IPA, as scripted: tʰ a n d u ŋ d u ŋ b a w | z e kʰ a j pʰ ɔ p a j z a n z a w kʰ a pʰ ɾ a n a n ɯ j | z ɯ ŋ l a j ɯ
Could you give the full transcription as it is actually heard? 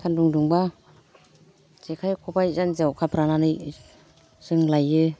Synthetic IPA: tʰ a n d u ŋ d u ŋ b a | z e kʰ a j kʰ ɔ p a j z a n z a w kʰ a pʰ ɾ a n a n ɯ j | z ɯ ŋ l a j ɯ